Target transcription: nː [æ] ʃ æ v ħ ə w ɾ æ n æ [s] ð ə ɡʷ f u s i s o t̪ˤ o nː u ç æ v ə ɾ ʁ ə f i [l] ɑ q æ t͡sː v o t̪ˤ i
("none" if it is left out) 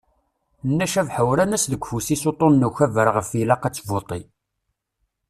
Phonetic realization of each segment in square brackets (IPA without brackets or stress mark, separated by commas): æ, s, l